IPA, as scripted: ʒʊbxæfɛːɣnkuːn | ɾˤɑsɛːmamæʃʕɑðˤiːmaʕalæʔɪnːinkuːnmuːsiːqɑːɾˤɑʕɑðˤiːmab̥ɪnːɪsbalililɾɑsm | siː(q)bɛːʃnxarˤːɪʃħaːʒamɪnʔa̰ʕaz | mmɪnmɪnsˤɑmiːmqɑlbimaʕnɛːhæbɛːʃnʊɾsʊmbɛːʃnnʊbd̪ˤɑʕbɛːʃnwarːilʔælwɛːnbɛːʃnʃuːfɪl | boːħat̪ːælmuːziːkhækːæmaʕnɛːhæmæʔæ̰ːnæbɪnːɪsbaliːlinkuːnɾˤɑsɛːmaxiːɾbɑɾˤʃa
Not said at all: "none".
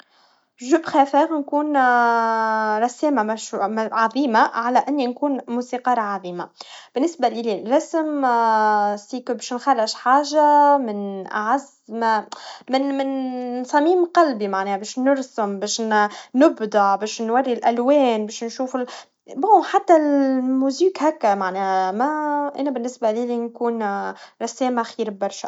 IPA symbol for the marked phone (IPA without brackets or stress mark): k